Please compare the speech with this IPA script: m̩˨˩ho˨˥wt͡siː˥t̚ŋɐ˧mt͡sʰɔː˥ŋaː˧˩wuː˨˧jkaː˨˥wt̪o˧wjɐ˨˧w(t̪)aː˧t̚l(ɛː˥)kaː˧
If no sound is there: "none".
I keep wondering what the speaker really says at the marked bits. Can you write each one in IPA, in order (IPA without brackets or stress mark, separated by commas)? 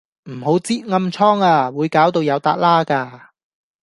t̪, aː˥